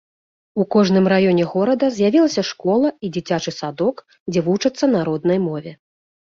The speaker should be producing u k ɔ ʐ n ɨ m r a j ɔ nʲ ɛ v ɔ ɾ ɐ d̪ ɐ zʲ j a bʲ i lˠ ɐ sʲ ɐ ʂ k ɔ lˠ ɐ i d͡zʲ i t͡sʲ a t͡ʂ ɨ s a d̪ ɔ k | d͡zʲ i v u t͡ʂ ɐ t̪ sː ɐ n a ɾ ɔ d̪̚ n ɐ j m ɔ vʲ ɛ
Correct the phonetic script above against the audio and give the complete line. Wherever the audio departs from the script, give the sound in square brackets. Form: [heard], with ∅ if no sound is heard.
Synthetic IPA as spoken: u k ɔ ʐ n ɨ m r a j ɔ nʲ ɛ [ɣ] ɔ ɾ ɐ d̪ ɐ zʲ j a [vʲ] i lˠ ɐ sʲ ɐ ʂ k ɔ lˠ ɐ i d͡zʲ i t͡sʲ a t͡ʂ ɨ s a d̪ ɔ k | d͡zʲ [ɛ] v u t͡ʂ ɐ t̪ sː ɐ n a ɾ ɔ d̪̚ n ɐ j m ɔ vʲ ɛ